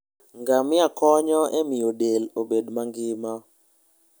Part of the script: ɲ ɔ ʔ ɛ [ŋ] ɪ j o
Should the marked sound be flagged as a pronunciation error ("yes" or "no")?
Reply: yes